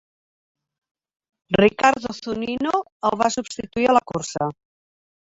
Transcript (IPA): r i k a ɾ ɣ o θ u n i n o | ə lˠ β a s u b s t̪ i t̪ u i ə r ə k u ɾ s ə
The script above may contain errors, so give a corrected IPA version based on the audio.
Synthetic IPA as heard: r i k a ɾ ð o θ u n i n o | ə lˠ β a s u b s t̪ i t̪ u i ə l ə k u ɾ s ə